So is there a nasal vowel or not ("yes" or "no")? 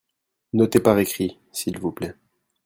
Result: no